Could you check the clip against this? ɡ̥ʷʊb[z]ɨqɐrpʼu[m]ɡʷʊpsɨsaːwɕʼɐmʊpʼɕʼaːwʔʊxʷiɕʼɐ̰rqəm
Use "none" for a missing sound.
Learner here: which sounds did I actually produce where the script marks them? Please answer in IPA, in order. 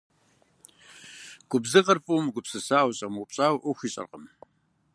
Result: z, m

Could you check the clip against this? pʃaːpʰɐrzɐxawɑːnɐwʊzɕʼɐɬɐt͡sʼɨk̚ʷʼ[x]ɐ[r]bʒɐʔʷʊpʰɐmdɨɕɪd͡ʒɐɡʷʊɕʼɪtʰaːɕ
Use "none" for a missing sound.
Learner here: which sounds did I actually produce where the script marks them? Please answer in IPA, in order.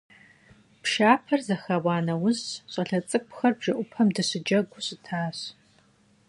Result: x, r

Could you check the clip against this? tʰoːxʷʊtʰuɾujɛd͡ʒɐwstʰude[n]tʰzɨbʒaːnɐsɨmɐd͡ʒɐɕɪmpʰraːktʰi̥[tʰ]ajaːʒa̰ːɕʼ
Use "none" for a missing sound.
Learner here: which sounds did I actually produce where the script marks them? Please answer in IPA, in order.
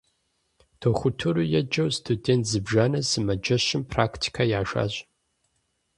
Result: n, kʰ

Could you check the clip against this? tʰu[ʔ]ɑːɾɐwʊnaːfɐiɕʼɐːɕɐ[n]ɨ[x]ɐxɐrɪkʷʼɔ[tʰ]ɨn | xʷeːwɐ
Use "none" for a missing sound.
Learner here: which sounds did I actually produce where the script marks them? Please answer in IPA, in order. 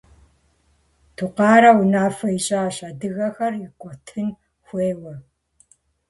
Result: q, d, ɣ, tʰ

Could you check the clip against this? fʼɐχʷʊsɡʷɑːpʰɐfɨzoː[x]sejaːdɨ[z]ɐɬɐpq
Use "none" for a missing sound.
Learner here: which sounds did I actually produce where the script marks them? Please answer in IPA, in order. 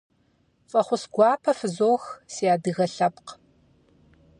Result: x, ɣ

